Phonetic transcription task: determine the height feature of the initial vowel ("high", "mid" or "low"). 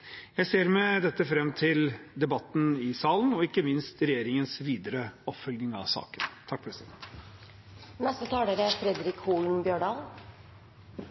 low